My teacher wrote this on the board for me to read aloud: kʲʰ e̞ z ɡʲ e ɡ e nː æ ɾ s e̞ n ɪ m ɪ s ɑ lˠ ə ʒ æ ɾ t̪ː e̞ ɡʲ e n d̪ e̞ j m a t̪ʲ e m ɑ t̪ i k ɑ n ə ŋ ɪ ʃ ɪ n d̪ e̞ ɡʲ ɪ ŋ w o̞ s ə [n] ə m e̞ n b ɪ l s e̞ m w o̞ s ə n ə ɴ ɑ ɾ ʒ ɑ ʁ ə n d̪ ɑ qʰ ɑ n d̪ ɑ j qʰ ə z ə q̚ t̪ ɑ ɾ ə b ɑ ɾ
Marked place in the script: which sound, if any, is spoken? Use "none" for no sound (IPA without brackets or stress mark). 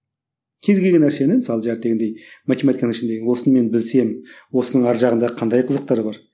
n